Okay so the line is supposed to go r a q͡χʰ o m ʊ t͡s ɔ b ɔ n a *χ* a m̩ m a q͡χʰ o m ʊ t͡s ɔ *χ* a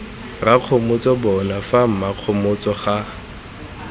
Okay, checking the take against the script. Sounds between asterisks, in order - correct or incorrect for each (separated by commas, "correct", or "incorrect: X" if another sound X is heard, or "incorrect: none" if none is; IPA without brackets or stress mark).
incorrect: f, correct